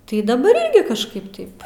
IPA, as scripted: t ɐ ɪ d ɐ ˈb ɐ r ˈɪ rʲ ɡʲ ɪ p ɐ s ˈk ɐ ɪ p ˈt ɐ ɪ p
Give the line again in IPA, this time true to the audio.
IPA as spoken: t ɐ ɪ d ɐ ˈb ɐ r ˈɪ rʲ ɡʲ ɪ k ɐ ʃ ˈk ɐ ɪ p ˈt ɐ ɪ p

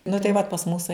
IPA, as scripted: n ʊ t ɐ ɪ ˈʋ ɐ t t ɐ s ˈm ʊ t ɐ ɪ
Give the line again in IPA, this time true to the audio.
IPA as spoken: n ʊ t ɐ ɪ ˈʋ ɐ t p ɐ s ˈm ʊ s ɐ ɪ

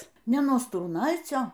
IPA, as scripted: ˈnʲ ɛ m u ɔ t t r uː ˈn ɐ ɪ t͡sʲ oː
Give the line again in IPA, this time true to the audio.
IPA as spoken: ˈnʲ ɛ n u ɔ s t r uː ˈn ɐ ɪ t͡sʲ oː

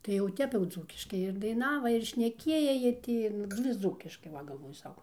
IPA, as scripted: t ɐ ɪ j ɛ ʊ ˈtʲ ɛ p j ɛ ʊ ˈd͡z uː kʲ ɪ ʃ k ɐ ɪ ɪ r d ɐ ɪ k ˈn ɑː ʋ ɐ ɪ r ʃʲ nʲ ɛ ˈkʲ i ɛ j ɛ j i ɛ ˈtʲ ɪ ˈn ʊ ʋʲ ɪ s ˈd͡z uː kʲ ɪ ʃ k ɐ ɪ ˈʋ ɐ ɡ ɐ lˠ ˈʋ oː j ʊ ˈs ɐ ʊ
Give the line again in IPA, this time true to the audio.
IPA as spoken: t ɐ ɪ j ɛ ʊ ˈtʲ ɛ p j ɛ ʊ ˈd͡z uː kʲ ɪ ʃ k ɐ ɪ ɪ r d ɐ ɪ ˈn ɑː ʋ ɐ ɪ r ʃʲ nʲ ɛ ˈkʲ i ɛ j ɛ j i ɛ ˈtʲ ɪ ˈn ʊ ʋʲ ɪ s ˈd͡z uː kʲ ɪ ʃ k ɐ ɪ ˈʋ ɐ ɡ ɐ lˠ ˈʋ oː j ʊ ˈs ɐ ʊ

